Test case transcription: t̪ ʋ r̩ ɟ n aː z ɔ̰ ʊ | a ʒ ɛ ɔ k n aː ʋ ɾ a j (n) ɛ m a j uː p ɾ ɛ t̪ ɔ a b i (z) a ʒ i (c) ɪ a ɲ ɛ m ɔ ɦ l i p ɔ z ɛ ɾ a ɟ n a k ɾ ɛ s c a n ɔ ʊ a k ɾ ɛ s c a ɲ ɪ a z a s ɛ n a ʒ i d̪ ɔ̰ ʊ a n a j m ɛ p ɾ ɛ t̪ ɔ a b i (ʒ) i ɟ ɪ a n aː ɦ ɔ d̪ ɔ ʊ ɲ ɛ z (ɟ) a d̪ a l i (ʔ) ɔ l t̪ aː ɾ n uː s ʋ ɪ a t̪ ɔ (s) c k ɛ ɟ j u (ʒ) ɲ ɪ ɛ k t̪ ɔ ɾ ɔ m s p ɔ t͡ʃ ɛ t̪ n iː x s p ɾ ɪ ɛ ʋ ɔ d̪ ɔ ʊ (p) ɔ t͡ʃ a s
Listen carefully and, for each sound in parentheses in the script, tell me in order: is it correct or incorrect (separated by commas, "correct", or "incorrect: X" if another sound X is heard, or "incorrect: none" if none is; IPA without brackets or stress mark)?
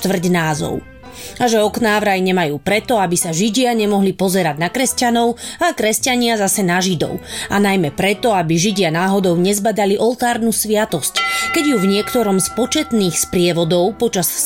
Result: incorrect: ɲ, incorrect: s, incorrect: ɟ, correct, incorrect: b, correct, correct, incorrect: v, correct